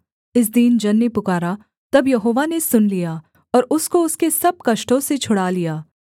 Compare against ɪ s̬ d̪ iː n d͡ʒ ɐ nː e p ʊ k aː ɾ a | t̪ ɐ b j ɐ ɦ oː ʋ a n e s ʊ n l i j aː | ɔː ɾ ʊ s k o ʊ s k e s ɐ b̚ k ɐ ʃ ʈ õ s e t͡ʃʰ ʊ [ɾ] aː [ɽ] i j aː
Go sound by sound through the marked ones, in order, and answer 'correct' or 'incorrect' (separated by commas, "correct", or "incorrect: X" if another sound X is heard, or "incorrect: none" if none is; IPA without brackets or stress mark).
incorrect: ɽ, incorrect: l